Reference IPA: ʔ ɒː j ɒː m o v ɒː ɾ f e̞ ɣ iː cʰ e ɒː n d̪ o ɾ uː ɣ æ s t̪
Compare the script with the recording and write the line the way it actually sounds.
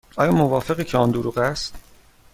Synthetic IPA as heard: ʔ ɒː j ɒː m o v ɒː f e̞ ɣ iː cʰ e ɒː n d̪ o ɾ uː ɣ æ s t̪